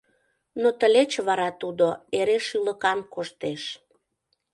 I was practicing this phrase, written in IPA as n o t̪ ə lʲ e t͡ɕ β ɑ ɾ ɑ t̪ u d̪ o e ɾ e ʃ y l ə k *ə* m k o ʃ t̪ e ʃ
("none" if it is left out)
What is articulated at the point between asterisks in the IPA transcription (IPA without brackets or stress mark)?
ɑ